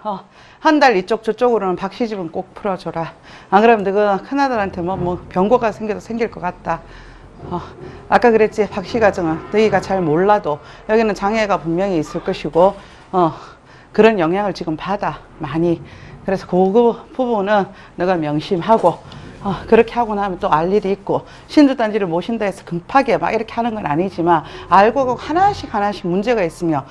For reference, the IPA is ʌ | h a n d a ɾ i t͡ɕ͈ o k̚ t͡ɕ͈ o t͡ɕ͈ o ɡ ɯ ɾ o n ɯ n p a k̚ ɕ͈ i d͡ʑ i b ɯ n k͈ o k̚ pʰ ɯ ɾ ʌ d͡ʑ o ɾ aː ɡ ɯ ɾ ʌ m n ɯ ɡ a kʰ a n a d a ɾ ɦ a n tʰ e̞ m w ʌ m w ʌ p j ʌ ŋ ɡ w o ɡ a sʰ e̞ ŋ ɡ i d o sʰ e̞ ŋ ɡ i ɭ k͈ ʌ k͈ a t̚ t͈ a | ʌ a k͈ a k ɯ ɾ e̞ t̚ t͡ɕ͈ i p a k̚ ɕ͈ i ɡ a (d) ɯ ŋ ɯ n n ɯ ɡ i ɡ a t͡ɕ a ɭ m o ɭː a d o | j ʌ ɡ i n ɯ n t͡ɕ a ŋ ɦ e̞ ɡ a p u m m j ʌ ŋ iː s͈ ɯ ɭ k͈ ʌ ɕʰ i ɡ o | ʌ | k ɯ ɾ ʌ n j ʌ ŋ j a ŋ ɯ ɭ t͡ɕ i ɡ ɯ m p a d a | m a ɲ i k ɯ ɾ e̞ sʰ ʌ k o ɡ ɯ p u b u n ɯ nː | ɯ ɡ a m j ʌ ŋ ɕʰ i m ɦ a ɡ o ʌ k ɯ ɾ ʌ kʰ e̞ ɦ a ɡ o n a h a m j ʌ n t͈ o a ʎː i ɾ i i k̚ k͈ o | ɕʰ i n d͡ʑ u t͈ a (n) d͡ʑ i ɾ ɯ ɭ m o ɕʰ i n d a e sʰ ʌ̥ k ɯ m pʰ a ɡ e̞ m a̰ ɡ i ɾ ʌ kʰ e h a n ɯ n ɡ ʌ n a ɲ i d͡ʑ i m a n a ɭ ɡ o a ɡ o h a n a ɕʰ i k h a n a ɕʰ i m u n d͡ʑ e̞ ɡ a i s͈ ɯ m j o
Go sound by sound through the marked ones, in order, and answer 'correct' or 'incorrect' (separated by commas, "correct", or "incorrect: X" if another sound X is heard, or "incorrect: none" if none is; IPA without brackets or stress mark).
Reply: incorrect: d͡ʑ, correct